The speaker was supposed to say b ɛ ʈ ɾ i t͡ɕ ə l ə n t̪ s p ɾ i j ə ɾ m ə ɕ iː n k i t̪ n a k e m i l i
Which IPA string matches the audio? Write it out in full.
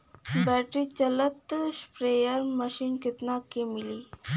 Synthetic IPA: b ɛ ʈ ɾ i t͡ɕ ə l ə t̪ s p ɾ e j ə ɾ m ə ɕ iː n k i t̪ n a k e m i l i